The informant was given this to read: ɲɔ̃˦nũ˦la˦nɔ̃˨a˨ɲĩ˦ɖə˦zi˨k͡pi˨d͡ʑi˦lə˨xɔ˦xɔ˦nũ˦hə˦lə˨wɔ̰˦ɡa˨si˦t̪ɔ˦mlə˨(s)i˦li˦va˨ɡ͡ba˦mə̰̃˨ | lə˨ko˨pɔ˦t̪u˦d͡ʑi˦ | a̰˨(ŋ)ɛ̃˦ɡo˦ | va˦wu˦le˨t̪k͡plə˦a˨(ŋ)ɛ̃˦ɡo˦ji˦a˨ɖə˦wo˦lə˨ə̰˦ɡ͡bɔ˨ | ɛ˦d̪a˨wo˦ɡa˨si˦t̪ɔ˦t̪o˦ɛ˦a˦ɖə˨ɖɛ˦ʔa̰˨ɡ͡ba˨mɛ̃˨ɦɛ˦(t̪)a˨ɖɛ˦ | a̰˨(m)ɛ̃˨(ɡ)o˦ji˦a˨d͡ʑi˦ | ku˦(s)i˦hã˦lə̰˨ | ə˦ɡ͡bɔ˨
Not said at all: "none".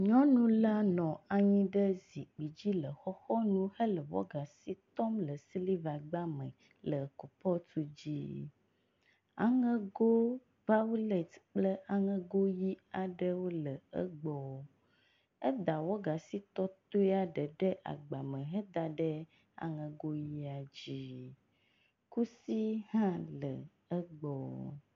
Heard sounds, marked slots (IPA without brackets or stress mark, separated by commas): s, ŋ, ŋ, d̪, ŋ, ɡ, s